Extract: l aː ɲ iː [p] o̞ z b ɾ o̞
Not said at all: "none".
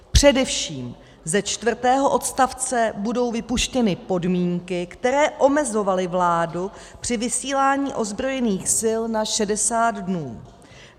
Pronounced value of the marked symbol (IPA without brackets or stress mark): ʔ